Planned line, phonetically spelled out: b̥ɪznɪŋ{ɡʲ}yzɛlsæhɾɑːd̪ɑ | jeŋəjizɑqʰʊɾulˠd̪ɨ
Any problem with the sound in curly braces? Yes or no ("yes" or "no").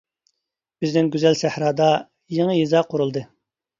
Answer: no